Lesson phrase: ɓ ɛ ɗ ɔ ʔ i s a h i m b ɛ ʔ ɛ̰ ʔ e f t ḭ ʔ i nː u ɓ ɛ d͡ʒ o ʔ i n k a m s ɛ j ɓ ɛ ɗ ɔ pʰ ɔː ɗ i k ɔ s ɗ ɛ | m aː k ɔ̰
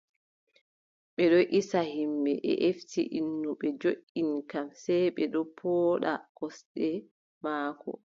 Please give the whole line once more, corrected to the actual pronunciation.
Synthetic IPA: ɓ ɛ ɗ ɔ ʔ i s a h i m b ɛ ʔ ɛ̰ ʔ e f t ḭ ʔ i nː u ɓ ɛ d͡ʒ o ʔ i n k a m s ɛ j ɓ ɛ ɗ ɔ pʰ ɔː ɗ a k ɔ s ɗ ɛ | m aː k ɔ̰